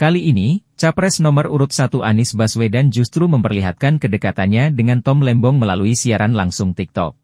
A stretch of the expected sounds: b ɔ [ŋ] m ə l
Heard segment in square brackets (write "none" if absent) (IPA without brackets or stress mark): ŋ